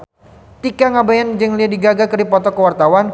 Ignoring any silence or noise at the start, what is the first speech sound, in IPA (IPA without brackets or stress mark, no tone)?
t̪